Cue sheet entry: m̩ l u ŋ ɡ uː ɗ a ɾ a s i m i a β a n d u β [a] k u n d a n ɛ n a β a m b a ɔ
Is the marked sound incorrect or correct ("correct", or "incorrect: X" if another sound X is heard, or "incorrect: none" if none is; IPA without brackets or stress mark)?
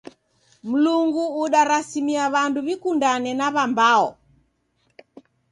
incorrect: i